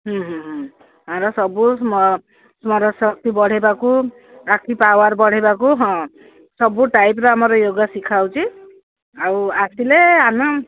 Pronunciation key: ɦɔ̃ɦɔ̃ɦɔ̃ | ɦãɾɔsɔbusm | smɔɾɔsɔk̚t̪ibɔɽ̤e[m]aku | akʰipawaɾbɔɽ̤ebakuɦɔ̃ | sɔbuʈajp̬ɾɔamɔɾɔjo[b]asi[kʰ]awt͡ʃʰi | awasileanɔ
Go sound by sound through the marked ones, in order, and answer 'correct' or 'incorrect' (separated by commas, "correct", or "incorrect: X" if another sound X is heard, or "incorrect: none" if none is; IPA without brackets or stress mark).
incorrect: b, incorrect: ɡ, correct